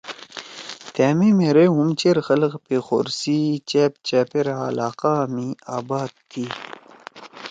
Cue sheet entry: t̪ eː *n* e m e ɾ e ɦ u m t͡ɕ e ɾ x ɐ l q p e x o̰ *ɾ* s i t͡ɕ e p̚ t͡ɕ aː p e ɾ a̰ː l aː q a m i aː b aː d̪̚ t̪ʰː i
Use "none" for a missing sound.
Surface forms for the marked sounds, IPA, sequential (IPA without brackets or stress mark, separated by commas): m, ɾ